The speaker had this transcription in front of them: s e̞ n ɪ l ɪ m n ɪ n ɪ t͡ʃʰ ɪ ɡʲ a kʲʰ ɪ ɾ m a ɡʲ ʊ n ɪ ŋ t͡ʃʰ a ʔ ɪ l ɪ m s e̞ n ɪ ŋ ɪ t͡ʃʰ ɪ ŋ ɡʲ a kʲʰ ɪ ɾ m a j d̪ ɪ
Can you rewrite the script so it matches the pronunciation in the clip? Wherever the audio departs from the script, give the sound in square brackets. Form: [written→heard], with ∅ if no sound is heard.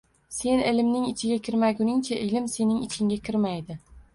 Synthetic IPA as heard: s e̞ n ɪ l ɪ m n ɪ [n→ŋ] ɪ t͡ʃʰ ɪ ɡʲ a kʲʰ ɪ ɾ m a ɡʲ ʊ n ɪ ŋ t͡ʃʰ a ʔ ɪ l ɪ m s e̞ n ɪ ŋ ɪ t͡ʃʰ ɪ ŋ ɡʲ a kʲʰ ɪ ɾ m a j d̪ ɪ